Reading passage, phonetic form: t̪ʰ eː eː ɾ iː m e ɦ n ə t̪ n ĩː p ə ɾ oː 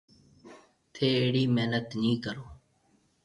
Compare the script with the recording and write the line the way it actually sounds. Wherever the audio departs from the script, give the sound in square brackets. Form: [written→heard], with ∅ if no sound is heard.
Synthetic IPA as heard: t̪ʰ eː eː [ɾ→ɽ] iː m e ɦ n ə t̪ n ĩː [p→k] ə ɾ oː